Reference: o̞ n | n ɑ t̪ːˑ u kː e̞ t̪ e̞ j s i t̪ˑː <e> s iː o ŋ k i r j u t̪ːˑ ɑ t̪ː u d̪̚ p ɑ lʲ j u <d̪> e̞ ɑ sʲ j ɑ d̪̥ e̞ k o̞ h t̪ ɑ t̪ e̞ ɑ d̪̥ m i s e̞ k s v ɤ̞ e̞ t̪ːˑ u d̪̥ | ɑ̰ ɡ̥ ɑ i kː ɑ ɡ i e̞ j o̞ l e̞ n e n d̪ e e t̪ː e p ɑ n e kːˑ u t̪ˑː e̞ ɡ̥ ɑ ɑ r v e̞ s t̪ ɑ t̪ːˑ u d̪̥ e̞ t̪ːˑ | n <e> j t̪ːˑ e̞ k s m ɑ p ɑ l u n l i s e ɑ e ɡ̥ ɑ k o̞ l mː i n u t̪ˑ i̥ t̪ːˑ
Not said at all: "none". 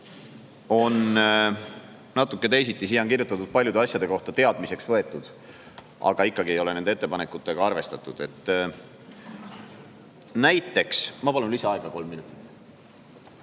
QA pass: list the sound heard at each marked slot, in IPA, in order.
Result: i, d̪, æ

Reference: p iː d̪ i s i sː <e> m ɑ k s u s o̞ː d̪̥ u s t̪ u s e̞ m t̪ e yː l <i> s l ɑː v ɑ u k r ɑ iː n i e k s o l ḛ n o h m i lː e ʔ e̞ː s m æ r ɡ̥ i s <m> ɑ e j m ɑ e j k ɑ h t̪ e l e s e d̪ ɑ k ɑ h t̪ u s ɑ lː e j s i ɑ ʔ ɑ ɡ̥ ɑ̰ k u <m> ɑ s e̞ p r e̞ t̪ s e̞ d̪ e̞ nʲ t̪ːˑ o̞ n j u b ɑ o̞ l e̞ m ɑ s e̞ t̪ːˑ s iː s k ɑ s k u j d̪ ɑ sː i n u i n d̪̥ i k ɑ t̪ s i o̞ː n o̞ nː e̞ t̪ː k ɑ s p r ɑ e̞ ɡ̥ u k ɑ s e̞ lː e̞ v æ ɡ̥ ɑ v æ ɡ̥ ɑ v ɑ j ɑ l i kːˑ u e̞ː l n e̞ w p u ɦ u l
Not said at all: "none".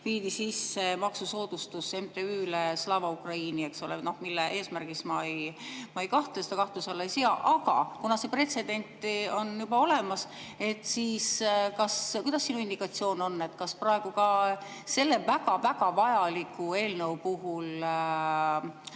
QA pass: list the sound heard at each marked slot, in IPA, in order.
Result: e, e, m, n

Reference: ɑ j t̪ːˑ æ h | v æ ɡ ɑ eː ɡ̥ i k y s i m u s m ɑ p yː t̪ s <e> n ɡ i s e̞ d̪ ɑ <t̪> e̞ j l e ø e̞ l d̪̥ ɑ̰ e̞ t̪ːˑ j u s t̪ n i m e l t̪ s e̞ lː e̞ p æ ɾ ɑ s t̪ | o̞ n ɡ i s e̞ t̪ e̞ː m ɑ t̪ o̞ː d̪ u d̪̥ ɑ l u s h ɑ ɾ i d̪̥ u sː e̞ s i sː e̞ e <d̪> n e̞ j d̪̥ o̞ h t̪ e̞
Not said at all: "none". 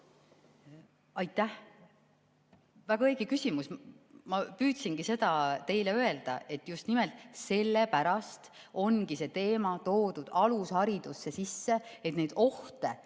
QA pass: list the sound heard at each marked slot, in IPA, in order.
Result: i, t̪, t̪

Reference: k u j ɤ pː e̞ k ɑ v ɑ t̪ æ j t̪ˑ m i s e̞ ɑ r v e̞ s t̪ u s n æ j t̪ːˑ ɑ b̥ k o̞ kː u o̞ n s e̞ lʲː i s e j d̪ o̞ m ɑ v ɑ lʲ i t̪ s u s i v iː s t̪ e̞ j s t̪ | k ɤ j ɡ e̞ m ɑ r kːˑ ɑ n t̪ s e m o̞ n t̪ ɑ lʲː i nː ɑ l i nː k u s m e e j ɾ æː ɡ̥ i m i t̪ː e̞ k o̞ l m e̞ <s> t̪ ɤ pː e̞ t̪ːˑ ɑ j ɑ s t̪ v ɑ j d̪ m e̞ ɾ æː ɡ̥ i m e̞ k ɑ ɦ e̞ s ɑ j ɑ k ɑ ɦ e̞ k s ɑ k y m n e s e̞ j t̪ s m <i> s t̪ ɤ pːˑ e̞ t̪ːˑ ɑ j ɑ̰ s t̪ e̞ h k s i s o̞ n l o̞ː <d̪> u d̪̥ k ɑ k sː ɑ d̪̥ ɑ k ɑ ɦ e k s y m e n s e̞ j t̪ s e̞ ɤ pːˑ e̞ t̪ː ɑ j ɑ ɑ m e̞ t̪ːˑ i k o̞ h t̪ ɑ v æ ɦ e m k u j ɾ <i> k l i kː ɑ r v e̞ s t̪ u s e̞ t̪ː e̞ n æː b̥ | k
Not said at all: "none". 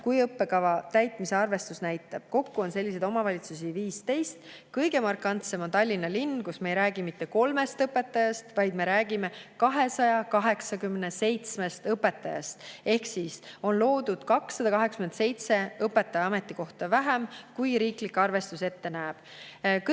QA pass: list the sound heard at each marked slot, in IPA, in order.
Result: s, e, d̪, iː

